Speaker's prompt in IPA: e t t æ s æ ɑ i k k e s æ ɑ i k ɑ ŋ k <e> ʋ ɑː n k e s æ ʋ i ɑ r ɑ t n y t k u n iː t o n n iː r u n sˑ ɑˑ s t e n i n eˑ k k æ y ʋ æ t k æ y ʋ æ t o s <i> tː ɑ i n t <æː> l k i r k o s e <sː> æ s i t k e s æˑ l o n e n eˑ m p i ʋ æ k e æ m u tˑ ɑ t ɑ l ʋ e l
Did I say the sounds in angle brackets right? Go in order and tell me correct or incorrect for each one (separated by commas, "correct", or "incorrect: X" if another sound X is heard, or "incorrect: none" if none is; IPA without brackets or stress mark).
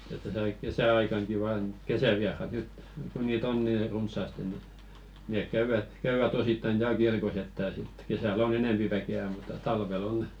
incorrect: i, correct, correct, incorrect: tː